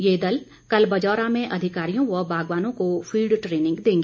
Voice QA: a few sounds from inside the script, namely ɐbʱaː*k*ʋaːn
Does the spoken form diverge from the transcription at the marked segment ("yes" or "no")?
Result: yes